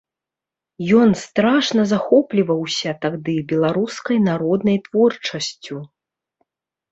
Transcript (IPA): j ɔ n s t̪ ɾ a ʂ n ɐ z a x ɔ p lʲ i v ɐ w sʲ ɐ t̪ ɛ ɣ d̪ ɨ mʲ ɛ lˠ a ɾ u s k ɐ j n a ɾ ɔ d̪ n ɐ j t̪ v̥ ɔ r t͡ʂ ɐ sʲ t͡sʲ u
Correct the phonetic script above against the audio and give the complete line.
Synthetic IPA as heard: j ɔ n s t̪ ɾ a ʂ n ɐ z a x ɔ p lʲ i v ɐ w sʲ ɐ t̪ a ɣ d̪ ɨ bʲ ɛ lˠ a ɾ u s k ɐ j n a ɾ ɔ d̪ n ɐ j t̪ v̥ ɔ r t͡ʂ ɐ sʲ t͡sʲ u

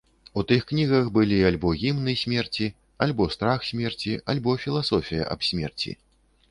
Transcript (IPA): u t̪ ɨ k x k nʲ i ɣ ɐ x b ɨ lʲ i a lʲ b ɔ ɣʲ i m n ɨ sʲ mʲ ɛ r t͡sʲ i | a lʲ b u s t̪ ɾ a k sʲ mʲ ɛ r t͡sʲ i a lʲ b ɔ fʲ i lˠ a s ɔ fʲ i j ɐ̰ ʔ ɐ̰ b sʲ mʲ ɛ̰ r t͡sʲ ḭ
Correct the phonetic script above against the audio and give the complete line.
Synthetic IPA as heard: u t̪ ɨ x k nʲ i ɣ ɐ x b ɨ lʲ i a lʲ b ɔ ɣʲ i m n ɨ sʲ mʲ ɛ r t͡sʲ i | a lʲ b ɔ s t̪ ɾ a x sʲ mʲ ɛ r t͡sʲ i a lʲ b ɔ fʲ i lˠ a s ɔ fʲ i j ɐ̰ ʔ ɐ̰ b sʲ mʲ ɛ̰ r t͡sʲ ḭ

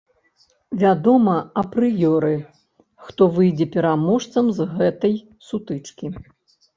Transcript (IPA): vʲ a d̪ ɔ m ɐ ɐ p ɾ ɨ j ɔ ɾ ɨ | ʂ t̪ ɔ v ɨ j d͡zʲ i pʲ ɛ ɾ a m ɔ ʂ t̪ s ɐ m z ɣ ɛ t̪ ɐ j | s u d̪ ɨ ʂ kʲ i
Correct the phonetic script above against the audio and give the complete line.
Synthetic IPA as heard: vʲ a d̪ ɔ m ɐ ɐ p ɾ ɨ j ɔ ɾ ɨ | x t̪ ɔ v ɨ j d͡zʲ ɛ pʲ ɛ ɾ a m ɔ ʂ t̪ s ɐ m z ɣ ɛ t̪ ɐ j | s u t̪ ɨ t͡ʂ kʲ i

